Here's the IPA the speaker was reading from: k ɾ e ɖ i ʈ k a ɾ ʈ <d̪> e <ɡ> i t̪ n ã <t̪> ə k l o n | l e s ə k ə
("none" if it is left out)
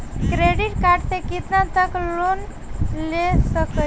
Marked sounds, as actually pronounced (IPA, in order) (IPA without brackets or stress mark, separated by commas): t̪, k, t̪